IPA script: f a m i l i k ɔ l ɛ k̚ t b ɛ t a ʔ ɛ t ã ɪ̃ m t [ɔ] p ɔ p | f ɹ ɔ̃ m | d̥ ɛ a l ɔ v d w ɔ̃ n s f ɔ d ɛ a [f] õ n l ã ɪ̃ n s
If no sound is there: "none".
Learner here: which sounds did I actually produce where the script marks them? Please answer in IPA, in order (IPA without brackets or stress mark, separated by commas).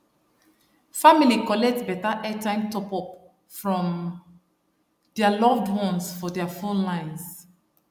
ɔ, f